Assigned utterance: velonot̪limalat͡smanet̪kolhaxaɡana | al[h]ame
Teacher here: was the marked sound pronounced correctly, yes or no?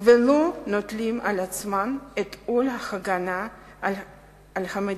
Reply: yes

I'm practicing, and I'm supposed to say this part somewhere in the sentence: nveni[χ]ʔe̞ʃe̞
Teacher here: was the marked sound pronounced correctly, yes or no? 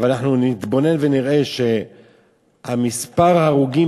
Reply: no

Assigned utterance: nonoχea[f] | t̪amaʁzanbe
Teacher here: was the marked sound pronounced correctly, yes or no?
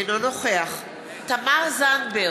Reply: no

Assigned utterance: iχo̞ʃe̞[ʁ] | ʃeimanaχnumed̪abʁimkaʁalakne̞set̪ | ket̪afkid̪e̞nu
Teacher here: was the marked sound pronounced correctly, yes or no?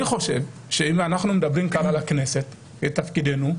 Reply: no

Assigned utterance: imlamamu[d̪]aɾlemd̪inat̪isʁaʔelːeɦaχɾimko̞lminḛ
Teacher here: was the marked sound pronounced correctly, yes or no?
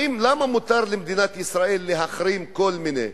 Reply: no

